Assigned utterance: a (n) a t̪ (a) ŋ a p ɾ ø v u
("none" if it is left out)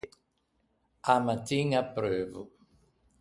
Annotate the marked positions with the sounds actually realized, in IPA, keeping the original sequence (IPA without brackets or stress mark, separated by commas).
m, i